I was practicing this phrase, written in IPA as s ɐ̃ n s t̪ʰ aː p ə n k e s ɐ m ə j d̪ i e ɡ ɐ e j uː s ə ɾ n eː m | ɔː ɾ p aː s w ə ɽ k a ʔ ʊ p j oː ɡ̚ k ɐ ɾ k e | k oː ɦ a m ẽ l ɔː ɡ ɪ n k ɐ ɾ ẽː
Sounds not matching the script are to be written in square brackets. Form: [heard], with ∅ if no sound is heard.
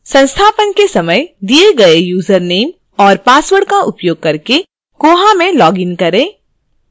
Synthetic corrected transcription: s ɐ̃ n s t̪ʰ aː p ə n k e s ɐ m ə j d̪ i e ɡ ɐ e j uː [z] ə ɾ n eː m | ɔː ɾ p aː s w ə ɽ k a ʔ ʊ p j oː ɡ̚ k ɐ ɾ k e | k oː ɦ a m ẽ l ɔː ɡ ɪ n k ɐ ɾ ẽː